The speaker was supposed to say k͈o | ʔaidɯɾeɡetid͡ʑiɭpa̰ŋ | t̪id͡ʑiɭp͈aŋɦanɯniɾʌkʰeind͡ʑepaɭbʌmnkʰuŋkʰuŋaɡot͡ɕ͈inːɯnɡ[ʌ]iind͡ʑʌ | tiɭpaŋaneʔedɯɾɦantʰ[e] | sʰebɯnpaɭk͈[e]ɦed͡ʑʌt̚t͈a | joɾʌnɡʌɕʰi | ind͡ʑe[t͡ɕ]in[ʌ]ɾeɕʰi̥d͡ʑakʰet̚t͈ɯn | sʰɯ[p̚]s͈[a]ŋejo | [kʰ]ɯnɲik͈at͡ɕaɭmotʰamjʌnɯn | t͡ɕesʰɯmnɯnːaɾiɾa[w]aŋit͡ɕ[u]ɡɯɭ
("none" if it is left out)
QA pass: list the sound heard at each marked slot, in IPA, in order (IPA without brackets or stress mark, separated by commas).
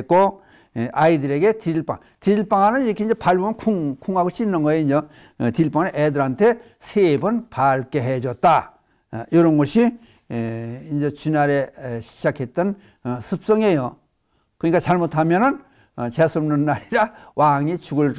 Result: ʌ, e, e, t͡ɕ, a, p̚, ʌ, k, w, u